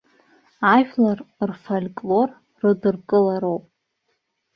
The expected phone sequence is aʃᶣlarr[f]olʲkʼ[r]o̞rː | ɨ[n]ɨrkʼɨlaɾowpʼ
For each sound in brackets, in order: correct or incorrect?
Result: correct, incorrect: l, incorrect: d

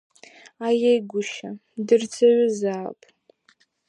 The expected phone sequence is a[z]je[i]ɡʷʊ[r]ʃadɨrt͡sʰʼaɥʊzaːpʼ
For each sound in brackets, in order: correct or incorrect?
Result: incorrect: none, incorrect: j, incorrect: none

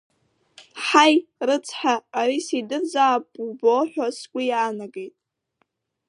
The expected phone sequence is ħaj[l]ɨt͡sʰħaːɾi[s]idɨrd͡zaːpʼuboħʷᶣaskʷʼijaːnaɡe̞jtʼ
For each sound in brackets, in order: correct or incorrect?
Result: incorrect: r, correct

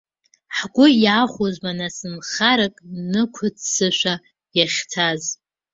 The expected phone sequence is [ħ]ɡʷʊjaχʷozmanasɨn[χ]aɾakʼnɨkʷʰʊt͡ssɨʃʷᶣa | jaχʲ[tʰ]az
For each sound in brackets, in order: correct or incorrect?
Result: correct, correct, correct

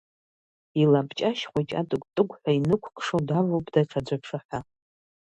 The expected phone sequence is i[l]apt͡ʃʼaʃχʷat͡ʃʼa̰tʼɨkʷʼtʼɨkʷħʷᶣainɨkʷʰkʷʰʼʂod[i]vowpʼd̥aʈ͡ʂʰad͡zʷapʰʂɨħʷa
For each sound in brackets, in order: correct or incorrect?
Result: correct, incorrect: a

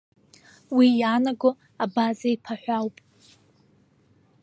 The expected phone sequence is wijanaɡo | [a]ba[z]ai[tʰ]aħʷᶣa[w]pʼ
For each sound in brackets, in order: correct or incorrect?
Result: correct, correct, incorrect: pʰ, correct

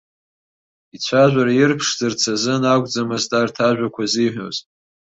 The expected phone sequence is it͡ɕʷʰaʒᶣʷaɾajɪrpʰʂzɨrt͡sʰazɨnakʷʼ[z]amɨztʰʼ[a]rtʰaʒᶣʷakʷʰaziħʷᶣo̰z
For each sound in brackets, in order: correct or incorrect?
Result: incorrect: d͡z, correct

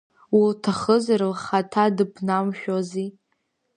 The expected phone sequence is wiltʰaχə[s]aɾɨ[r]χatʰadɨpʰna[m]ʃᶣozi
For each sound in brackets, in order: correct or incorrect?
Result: incorrect: z, incorrect: l, correct

